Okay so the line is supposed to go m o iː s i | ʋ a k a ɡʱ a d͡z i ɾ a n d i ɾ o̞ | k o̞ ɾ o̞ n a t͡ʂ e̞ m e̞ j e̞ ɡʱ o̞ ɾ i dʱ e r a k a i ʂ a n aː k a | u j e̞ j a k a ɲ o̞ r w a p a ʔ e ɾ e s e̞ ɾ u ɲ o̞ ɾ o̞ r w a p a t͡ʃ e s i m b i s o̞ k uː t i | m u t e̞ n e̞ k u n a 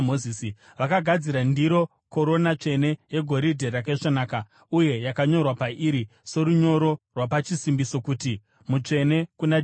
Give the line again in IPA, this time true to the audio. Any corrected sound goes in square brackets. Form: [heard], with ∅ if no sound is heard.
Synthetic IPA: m o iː s i | ʋ a k a ɡʱ a d͡z i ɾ a n d i ɾ o̞ | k o̞ ɾ o̞ n a t͡ʂ e̞ [n] e̞ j e̞ ɡʱ o̞ ɾ i dʱ e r a k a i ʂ a n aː k a | u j e̞ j a k a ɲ o̞ r w a p a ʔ [i] ɾ [i] s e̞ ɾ u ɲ o̞ ɾ o̞ r w a p a t͡ʃ [i] s i m b i s o̞ k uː t i | m u [t͡ʂ] e̞ n e̞ k u n a